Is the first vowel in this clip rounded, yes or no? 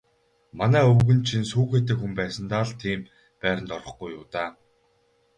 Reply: no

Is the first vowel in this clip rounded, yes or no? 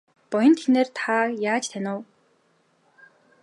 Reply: yes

